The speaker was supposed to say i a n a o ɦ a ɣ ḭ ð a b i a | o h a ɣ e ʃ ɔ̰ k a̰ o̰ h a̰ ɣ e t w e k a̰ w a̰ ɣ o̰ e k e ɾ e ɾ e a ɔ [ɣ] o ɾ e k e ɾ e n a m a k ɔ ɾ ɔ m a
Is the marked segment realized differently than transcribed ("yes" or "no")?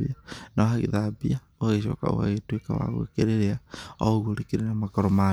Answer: no